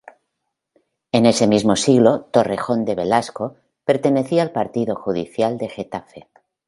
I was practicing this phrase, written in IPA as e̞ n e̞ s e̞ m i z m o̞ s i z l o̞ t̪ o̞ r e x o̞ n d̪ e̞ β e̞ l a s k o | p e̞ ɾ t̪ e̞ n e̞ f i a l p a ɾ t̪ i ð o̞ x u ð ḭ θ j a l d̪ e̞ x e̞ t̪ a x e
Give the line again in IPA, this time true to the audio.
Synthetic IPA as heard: e̞ n e̞ s e̞ m i z m o̞ s i ɣ l o̞ t̪ o̞ r e x o̞ n d̪ e̞ β e̞ l a s k o | p e̞ ɾ t̪ e̞ n e̞ θ i a l p a ɾ t̪ i ð o̞ x u ð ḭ θ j a l d̪ e̞ x e̞ t̪ a f e

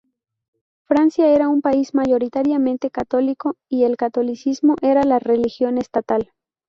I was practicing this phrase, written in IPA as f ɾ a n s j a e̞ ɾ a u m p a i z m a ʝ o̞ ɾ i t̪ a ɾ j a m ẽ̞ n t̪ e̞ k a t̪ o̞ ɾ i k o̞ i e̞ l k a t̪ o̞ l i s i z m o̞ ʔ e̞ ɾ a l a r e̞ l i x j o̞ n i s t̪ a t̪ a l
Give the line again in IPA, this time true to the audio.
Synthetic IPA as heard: f ɾ a n s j a e̞ ɾ a u m p a i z m a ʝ o̞ ɾ i t̪ a ɾ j a m ẽ̞ n t̪ e̞ k a t̪ o̞ l i k o̞ i e̞ l k a t̪ o̞ l i s i z m o̞ ʔ e̞ ɾ a l a r e̞ l i x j o̞ n e s t̪ a t̪ a l

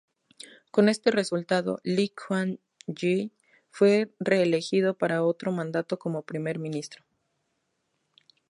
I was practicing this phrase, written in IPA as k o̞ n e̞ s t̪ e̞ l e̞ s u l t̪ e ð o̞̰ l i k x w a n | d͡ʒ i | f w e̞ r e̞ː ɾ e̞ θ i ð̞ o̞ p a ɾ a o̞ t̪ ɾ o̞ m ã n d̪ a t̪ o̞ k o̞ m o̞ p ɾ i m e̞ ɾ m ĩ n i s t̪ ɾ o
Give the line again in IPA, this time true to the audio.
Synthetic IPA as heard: k o̞ n e̞ s t̪ e̞ r e̞ s u l t̪ a ð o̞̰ l i k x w a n | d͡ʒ i | f w e̞ r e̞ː l e̞ x i ð̞ o̞ p a ɾ a o̞ t̪ ɾ o̞ m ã n d̪ a t̪ o̞ k o̞ m o̞ p ɾ i m e̞ ɾ m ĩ n i s t̪ ɾ o

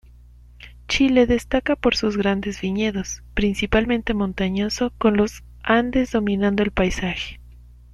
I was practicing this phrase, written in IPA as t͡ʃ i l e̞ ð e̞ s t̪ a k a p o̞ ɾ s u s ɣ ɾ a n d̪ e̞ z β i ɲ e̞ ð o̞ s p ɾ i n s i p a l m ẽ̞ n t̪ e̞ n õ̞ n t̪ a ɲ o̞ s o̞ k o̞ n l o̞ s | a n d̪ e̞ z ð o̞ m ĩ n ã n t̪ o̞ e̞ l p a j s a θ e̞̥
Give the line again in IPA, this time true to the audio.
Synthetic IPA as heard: t͡ʃ i l e̞ ð e̞ s t̪ a k a p o̞ ɾ s u z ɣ ɾ a n d̪ e̞ z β i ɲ e̞ ð o̞ s p ɾ i n s i p a l m ẽ̞ n t̪ e̞ m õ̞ n t̪ a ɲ o̞ s o̞ k o̞ n l o̞ s | a n d̪ e̞ z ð o̞ m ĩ n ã n d̪ o̞ e̞ l p a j s a x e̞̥

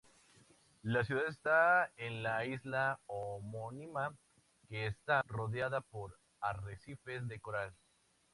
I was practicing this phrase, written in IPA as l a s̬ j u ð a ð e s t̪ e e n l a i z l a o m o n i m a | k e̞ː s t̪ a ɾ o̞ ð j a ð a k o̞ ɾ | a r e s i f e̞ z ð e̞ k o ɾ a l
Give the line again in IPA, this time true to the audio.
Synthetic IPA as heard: l a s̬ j u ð a ð e s t̪ a e n l a i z l a o m o n i m a | k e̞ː s t̪ a r o̞ ð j a ð a p o̞ ɾ | a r e s i f e̞ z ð e̞ k o ɾ a l

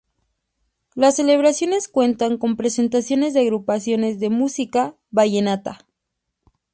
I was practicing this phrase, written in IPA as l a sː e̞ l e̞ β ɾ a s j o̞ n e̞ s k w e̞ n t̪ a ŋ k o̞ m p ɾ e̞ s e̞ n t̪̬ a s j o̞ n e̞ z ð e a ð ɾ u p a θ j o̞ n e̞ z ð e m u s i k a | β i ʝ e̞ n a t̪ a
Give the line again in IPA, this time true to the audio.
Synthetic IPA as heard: l a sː e̞ l e̞ β ɾ a s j o̞ n e̞ s k w e̞ n t̪ a ŋ k o̞ m p ɾ e̞ s e̞ n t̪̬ a s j o̞ n e̞ z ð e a ɣ ɾ u p a s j o̞ n e̞ z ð e m u s i k a | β a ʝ e̞ n a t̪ a

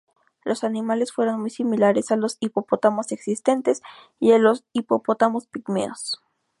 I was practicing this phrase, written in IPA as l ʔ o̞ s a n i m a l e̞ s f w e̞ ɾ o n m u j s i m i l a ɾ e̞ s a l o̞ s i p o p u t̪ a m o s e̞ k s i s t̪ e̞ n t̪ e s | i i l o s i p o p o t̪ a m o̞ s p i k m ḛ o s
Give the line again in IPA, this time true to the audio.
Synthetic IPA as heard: l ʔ o̞ s a n i m a l e̞ s f w e̞ ɾ o n m u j s i m i l a ɾ e̞ s a l o̞ s i p o p o t̪ a m o s e̞ k s i s t̪ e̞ n t̪ e s | i a l o s i p o p o t̪ a m o̞ s p i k m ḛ o s

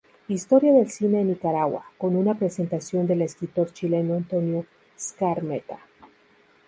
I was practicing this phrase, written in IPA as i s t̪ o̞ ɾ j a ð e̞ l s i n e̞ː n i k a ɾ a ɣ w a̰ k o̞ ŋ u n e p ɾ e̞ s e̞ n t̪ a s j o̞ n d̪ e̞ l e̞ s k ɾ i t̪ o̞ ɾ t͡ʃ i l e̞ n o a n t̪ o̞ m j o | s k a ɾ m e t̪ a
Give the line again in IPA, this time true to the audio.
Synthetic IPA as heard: i s t̪ o̞ ɾ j a ð e̞ l s i n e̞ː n i k a ɾ a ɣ w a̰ k o̞ n u n a p ɾ e̞ s e̞ n t̪ a s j o̞ n d̪ e̞ l e̞ s k ɾ i t̪ o̞ ɾ t͡ʃ i l e̞ n o a n t̪ o̞ n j o | s k a ɾ m e t̪ a

